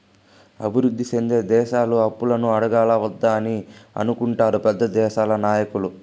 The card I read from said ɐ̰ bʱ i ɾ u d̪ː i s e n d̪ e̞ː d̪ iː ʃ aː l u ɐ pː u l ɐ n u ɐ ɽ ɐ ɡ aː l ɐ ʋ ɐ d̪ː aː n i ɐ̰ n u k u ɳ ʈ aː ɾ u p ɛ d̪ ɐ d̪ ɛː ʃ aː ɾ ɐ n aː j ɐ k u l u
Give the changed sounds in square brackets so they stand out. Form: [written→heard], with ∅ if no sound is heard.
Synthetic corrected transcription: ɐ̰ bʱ i ɾ u d̪ː i s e n d̪ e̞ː d̪ [iː→ɛː] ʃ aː l u ɐ pː u l ɐ n u ɐ ɽ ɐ ɡ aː l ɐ ʋ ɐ d̪ː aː n i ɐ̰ n u k u ɳ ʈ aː ɾ u p ɛ [d̪→d̪ː] ɐ d̪ ɛː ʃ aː [ɾ→l] ɐ n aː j ɐ k u l u

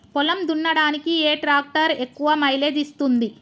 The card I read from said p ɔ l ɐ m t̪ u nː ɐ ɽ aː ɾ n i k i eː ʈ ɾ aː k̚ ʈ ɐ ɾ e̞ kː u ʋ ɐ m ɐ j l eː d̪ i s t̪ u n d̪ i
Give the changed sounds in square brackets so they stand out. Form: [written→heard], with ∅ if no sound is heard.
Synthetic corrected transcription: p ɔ l ɐ m [t̪→d̪] u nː ɐ ɽ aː [ɾ→∅] n i k i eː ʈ ɾ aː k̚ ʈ ɐ ɾ e̞ kː u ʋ ɐ m ɐ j l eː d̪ i s t̪ u n d̪ i

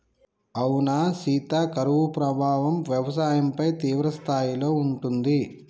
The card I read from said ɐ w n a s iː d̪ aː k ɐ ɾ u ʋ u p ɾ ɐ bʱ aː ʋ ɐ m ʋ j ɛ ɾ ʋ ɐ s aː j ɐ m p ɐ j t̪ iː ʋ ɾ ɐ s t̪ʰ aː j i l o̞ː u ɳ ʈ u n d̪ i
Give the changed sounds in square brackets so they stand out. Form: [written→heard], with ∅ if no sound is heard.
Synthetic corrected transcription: ɐ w n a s iː [d̪→t̪] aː k ɐ ɾ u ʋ u p ɾ ɐ bʱ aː ʋ ɐ m ʋ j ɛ [ɾ→∅] ʋ ɐ s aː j ɐ m p ɐ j t̪ iː ʋ ɾ ɐ s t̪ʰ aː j i l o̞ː u ɳ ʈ u n d̪ i

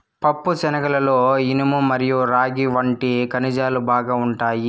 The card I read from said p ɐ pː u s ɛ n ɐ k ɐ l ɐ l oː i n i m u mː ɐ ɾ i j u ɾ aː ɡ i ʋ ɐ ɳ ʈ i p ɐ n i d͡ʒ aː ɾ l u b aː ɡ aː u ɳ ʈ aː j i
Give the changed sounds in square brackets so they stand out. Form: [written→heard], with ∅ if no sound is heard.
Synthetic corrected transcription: p ɐ pː u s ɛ n ɐ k ɐ l ɐ l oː i n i m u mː ɐ ɾ i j u ɾ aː ɡ i ʋ ɐ ɳ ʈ i [p→k] ɐ n i d͡ʒ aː [ɾ→∅] l u b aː ɡ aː u ɳ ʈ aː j i

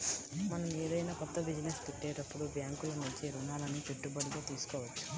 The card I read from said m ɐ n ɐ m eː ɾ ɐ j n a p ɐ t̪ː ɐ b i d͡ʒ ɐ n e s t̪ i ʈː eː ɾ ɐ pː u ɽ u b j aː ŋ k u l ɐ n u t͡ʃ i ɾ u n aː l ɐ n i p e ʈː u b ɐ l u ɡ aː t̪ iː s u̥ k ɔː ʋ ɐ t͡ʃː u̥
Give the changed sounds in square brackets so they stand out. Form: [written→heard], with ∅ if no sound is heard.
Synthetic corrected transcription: m ɐ n ɐ m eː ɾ ɐ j n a p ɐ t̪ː ɐ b i d͡ʒ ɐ n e s t̪ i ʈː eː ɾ ɐ pː u ɽ u b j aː ŋ k u l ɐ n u t͡ʃ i ɾ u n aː l ɐ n i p e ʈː u b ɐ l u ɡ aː t̪ iː s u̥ k ɔː ʋ ɐ t͡ʃː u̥

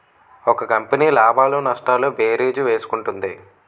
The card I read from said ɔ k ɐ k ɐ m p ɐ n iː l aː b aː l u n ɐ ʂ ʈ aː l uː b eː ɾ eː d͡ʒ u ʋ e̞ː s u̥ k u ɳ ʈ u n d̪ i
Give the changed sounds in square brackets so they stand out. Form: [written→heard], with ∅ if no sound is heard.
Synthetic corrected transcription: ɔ k ɐ k ɐ m p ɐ n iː l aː b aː l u n ɐ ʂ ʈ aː l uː b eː ɾ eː d͡ʒ u ʋ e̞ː s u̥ k u ɳ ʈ u n d̪ i

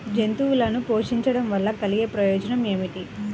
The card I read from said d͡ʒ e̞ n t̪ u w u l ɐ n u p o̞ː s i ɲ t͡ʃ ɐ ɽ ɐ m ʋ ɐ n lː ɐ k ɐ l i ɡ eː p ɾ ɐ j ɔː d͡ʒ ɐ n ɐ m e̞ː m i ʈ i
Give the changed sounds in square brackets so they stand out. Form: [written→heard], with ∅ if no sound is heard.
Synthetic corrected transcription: d͡ʒ e̞ n t̪ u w u l ɐ n u p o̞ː [s→ʂ] i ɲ t͡ʃ ɐ ɽ ɐ m ʋ ɐ [n→∅] lː ɐ k ɐ l i ɡ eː p ɾ ɐ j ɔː d͡ʒ ɐ n ɐ m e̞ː m i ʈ i

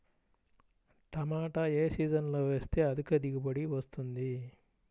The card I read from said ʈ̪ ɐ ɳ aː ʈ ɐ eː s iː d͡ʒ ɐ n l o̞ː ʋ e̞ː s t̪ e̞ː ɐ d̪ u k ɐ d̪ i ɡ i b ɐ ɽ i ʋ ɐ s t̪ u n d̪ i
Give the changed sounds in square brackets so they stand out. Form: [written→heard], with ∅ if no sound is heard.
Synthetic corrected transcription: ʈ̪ ɐ [ɳ→m] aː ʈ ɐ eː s iː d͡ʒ ɐ n l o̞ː ʋ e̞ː s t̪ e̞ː ɐ d̪ u k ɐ d̪ i ɡ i b ɐ ɽ i ʋ ɐ s t̪ u n d̪ i

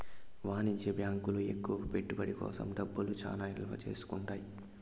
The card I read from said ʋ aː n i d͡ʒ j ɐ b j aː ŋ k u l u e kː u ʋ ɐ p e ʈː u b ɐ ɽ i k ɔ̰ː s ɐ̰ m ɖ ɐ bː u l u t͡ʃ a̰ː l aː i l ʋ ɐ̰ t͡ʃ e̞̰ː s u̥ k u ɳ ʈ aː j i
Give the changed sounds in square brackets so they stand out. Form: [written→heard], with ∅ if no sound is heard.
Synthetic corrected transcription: ʋ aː n i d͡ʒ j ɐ b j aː ŋ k u l u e kː u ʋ ɐ p e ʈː u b ɐ ɽ i k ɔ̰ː s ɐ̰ m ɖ ɐ bː u l u t͡ʃ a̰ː l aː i l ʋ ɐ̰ t͡ʃ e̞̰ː s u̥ k u ɳ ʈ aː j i

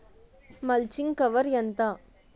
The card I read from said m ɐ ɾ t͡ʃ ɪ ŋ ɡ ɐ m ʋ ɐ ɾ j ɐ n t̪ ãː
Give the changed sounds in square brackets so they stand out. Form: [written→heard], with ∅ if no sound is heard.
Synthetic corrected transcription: m ɐ [ɾ→l] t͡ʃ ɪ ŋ [ɡ→k] ɐ [m→∅] ʋ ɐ ɾ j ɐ n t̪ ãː

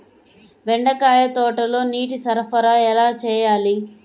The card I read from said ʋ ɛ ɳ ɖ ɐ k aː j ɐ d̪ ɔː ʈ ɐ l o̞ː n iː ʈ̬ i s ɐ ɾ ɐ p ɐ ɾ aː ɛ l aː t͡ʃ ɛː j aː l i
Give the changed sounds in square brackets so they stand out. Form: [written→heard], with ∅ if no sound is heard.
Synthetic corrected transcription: ʋ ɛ ɳ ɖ ɐ k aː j ɐ [d̪→t̪] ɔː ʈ ɐ l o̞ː n iː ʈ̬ i s ɐ ɾ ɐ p ɐ ɾ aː ɛ l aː t͡ʃ ɛː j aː l i

